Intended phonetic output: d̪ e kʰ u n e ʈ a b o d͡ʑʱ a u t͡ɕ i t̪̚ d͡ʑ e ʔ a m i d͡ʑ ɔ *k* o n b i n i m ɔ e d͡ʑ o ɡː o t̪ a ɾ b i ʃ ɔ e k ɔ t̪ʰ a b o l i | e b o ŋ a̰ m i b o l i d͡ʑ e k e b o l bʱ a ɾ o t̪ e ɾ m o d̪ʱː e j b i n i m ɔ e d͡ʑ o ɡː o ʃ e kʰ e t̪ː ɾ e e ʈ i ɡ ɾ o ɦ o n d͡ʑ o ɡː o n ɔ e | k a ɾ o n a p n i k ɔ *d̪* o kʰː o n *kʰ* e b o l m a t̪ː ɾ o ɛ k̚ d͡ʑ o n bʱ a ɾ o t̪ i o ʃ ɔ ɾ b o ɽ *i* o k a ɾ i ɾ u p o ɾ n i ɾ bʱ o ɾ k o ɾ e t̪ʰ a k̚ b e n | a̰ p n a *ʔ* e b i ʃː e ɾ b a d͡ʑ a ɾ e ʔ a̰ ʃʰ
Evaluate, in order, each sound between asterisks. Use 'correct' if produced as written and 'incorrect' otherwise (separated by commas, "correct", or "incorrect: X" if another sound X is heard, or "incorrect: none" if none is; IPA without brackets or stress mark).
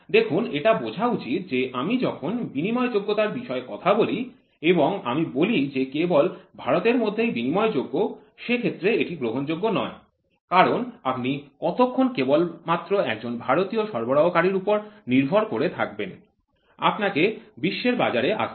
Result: incorrect: kʰ, incorrect: t̪, incorrect: k, incorrect: a, incorrect: k